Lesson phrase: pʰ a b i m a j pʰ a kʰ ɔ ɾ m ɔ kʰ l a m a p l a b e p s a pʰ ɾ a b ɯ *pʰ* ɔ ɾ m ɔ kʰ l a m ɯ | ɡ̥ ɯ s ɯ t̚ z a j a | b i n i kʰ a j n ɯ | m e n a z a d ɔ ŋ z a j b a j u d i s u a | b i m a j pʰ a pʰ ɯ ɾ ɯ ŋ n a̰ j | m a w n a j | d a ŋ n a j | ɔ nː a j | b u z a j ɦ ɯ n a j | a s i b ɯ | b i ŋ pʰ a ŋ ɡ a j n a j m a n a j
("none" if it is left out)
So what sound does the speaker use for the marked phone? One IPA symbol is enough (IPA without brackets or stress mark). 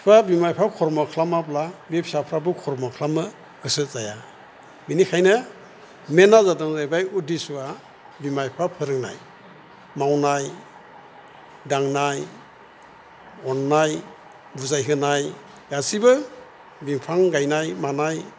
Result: kʰ